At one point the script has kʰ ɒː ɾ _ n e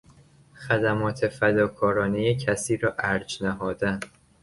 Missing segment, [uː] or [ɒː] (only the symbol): ɒː